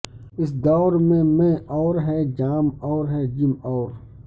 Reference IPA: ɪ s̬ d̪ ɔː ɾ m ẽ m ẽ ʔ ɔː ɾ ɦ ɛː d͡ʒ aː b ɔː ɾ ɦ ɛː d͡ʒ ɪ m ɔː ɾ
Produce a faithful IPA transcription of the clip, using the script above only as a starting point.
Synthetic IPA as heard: ɪ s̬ d̪ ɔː ɾ m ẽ m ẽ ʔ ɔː ɾ ɦ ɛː d͡ʒ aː m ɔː ɾ ɦ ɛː d͡ʒ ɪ m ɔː ɾ